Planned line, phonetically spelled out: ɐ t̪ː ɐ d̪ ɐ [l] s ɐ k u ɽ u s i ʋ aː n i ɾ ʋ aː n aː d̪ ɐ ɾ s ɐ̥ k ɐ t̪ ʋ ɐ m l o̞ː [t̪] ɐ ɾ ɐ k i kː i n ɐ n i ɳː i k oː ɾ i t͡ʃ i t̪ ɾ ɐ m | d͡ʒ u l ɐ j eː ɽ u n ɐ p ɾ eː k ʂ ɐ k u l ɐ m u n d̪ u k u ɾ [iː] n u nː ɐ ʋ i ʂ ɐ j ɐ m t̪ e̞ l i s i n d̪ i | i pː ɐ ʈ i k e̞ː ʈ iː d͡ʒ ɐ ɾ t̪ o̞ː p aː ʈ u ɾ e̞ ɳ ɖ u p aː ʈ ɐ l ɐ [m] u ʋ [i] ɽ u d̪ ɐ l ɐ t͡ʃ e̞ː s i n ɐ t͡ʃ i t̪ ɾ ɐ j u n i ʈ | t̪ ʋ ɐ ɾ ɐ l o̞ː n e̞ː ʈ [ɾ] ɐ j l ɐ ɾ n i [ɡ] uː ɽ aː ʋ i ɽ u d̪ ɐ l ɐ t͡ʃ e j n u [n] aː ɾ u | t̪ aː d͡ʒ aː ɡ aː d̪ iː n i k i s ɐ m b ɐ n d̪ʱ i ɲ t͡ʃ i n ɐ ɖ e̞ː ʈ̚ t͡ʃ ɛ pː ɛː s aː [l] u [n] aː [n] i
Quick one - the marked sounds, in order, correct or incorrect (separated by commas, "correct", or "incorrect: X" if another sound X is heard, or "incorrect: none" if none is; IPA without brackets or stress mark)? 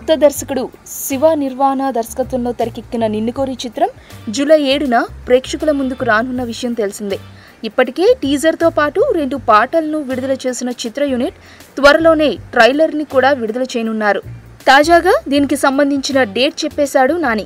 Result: incorrect: ɾ, correct, incorrect: aː, incorrect: n, correct, correct, incorrect: k, incorrect: nː, incorrect: ɽ, correct, correct